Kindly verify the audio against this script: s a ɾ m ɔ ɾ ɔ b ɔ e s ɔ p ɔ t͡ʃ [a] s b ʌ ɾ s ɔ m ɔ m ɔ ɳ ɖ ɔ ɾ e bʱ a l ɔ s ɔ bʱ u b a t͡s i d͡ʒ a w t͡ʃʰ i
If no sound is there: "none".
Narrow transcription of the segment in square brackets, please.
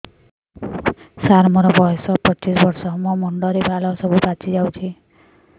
i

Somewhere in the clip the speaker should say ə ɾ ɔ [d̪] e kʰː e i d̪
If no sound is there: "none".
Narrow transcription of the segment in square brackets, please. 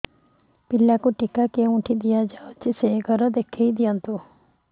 d̪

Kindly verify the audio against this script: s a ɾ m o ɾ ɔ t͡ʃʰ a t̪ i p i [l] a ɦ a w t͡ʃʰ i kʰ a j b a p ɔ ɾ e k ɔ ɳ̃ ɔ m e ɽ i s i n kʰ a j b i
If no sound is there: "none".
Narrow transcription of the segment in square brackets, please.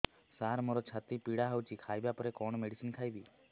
ɽ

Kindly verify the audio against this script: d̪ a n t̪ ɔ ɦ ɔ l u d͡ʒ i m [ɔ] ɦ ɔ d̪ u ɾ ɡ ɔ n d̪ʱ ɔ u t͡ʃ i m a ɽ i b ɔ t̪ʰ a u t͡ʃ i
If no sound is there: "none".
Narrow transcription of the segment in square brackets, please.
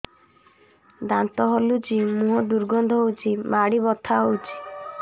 u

